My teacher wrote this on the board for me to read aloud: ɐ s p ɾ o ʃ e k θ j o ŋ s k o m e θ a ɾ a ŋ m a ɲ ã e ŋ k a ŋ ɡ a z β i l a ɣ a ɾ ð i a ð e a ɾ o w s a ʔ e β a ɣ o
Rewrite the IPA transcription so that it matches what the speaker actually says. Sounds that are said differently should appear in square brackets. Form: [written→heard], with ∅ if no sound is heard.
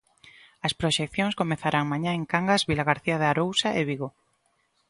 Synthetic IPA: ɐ s p ɾ o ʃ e k θ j o ŋ s k o m e θ a ɾ a ŋ m a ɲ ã e ŋ k a ŋ ɡ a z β i l a ɣ a ɾ [ð→θ] i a ð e a ɾ o w s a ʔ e β [a→i] ɣ o